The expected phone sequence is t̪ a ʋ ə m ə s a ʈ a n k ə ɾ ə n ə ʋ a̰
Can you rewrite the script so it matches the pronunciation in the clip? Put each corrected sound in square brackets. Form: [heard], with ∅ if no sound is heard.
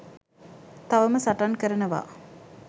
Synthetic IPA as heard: t̪ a ʋ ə m ə s a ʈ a n k ə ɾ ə n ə ʋ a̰